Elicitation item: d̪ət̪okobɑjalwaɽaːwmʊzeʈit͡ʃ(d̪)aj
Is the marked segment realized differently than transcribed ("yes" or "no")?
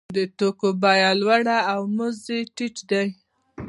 no